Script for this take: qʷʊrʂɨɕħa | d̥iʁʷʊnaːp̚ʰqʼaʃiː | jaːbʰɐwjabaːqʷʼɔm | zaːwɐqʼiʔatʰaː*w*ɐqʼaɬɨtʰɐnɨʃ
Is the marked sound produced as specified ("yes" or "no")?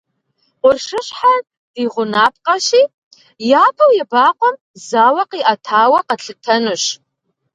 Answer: yes